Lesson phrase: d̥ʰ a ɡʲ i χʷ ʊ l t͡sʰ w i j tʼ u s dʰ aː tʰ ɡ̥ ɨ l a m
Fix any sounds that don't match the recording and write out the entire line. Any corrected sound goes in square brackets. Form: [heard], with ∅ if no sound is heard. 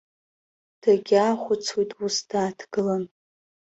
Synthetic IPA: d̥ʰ a ɡʲ [a] χʷ ʊ [∅] t͡sʰ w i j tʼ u s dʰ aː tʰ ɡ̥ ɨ l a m

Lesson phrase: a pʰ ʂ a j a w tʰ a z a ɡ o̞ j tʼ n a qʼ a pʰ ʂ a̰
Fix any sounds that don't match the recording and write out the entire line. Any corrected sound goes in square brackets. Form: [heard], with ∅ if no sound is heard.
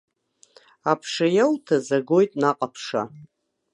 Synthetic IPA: a pʰ ʂ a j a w tʰ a z a ɡ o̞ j tʼ n a qʼ a pʰ ʂ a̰

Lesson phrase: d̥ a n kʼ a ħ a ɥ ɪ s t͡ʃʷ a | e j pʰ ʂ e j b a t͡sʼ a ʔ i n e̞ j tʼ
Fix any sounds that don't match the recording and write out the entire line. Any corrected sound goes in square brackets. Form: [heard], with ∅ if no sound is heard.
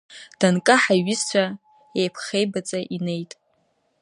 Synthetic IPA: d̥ a n kʼ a ħ a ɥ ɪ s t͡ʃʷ a | e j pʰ [χ] e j b a t͡sʼ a ʔ i n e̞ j tʼ

